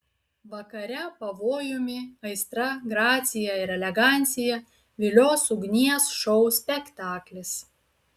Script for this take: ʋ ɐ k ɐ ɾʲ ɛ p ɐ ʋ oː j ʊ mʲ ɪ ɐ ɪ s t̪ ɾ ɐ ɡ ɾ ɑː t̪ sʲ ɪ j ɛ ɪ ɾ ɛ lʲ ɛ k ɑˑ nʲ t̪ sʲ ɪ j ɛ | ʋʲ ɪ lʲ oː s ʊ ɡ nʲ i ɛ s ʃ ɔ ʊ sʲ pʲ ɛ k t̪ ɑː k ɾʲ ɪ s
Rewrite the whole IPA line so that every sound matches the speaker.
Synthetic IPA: ʋ ɐ k ɐ ɾʲ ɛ p ɐ ʋ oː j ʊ mʲ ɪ ɐ ɪ s t̪ ɾ ɐ ɡ ɾ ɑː t̪ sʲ ɪ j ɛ ɪ ɾ ɛ lʲ ɛ ɡ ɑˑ nʲ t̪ sʲ ɪ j ɛ | ʋʲ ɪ lʲ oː s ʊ ɡ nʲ i ɛ s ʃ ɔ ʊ sʲ pʲ ɛ k t̪ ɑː k lʲ ɪ s